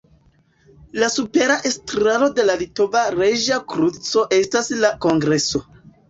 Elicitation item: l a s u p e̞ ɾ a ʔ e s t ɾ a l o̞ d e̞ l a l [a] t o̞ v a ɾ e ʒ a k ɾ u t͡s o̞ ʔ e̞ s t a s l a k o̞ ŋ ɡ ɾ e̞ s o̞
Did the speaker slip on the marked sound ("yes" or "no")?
yes